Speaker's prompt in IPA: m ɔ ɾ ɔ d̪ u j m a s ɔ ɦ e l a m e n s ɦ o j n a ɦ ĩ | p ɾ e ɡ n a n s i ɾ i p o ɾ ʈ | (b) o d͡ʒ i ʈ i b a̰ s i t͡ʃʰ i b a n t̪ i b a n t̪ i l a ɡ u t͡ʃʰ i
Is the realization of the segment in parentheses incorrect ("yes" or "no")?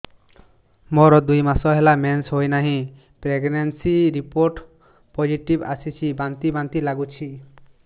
yes